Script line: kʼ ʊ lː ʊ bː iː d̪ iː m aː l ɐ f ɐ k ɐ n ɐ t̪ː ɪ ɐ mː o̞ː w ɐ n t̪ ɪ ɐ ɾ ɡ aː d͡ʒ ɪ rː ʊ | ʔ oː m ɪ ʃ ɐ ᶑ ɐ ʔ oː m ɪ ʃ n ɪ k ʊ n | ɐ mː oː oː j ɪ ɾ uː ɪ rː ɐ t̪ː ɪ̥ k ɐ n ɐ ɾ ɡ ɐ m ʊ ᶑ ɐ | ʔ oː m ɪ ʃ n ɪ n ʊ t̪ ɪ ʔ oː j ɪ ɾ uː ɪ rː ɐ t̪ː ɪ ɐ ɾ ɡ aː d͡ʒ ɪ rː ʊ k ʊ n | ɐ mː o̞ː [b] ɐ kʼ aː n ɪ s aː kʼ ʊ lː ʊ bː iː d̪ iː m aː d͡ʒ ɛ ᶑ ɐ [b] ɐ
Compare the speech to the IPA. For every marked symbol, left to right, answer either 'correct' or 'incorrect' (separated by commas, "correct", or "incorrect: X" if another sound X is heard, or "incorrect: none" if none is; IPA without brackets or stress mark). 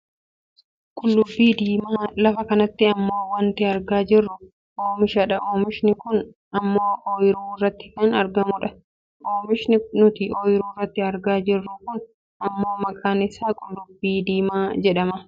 incorrect: m, incorrect: m